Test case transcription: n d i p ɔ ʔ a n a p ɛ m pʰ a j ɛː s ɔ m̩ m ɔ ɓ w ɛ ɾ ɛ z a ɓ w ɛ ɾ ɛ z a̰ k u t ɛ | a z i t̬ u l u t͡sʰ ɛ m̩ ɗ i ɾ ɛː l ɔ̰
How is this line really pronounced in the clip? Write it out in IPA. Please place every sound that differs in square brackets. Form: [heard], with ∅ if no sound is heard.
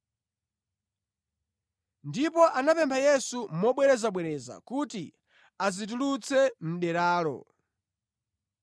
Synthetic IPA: n d i p ɔ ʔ a n a p ɛ m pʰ a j [ɛ] s [u] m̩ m ɔ ɓ w ɛ ɾ ɛ z a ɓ w ɛ ɾ ɛ z a̰ k u t [i] | a z i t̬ u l u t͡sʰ ɛ m̩ ɗ [ɛ] ɾ [aː] l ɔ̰

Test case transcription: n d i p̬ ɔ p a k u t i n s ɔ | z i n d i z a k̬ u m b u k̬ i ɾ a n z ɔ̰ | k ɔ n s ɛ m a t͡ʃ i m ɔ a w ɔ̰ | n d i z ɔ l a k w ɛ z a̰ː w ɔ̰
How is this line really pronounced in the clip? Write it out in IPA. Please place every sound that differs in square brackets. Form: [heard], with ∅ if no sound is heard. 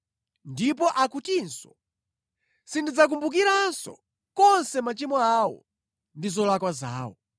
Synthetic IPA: n d i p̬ ɔ [ʔ] a k u t i n s ɔ | [s] i n d i [d͡z] a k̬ u m b u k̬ i ɾ a n [s] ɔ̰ | k ɔ n s ɛ m a t͡ʃ i m ɔ a w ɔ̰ | n d i z ɔ l a k w [a] z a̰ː w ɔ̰

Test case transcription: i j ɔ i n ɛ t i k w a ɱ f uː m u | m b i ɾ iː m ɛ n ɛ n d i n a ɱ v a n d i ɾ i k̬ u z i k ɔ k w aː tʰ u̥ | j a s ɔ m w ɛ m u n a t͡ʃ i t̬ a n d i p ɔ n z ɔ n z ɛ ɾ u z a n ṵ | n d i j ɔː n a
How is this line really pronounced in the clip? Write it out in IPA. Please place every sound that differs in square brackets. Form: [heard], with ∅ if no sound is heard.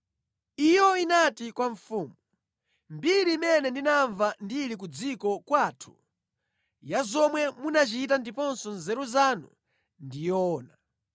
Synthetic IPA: i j ɔ i n [a] t i k w a ɱ f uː m u | m b i ɾ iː m ɛ n ɛ n d i n a ɱ v a n d i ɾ i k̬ u [d͡z] i k ɔ k w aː tʰ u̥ | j a [z] ɔ m w ɛ m u n a t͡ʃ i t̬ a n d i p ɔ n [s] ɔ n z ɛ ɾ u z a n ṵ | n d i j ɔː n a

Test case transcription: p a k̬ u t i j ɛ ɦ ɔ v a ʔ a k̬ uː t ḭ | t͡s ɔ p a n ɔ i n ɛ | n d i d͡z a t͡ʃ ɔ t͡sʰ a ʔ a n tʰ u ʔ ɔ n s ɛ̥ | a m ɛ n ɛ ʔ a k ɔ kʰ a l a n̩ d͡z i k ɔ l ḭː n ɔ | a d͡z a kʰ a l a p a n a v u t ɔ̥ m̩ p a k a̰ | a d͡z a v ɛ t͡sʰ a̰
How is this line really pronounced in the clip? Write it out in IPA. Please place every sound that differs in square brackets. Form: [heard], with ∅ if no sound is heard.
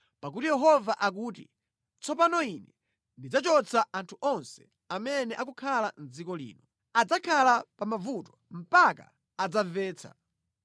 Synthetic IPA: p a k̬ u t i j ɛ ɦ ɔ v a ʔ a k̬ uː t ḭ | t͡s ɔ p a n ɔ i n ɛ | n d i d͡z a t͡ʃ ɔ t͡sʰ a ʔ a n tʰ u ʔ ɔ n s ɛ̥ | a m ɛ n ɛ ʔ a k [u] kʰ a l a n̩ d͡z i k ɔ l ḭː n ɔ | a d͡z a kʰ a l a p a [m] a v u t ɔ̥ m̩ p a k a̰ | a d͡z a v [ɛː] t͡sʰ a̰

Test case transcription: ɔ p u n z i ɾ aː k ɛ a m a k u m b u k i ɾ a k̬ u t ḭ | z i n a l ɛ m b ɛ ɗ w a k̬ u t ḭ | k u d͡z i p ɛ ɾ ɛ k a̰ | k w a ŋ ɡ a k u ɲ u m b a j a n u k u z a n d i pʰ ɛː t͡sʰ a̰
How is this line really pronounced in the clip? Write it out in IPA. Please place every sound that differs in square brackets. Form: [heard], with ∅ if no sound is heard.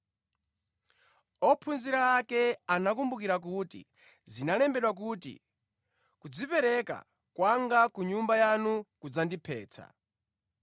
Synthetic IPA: ɔ [pʰ] u n z i ɾ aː k ɛ a [n] a k u m b u k i ɾ a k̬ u t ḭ | z i n a l ɛ m b ɛ ɗ w a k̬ u t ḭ | k u d͡z i p ɛ ɾ ɛ k a̰ | k w a ŋ ɡ a k u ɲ u m b a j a n u k u [d͡z] a n d i pʰ ɛː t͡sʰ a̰

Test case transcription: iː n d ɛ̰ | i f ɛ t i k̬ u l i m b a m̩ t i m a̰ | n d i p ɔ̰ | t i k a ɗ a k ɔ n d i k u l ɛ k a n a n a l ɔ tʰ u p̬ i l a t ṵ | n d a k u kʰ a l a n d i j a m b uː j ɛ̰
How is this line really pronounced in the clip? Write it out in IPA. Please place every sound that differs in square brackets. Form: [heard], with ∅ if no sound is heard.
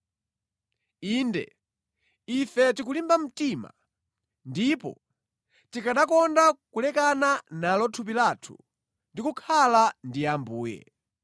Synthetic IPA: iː n d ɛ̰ | i f ɛ t i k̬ u l i m b a m̩ t i m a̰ | n d i p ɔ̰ | t i k a ɗ a k ɔ n d [a] k u l ɛ k a n a n a l ɔ tʰ u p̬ i l a [tʰ] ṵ | n d [i] k u kʰ a l a n d i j a m b uː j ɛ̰

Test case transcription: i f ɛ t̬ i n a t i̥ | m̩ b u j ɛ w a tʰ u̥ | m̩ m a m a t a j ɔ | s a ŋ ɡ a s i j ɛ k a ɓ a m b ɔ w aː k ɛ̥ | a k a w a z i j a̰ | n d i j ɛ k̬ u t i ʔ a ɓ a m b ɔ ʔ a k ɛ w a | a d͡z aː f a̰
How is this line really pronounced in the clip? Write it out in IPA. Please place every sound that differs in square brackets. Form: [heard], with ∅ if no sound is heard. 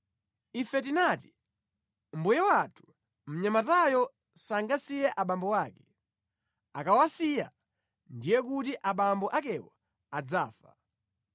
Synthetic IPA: i f ɛ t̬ i n a t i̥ | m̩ b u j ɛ w a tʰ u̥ | m̩ [ɲ] a m a t a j ɔ | s a ŋ ɡ a s i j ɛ [ʔ] a ɓ a m b ɔ w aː k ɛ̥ | a k a w a [s] i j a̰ | n d i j ɛ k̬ u t i ʔ a ɓ a m b ɔ ʔ a k ɛ w a | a d͡z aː f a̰

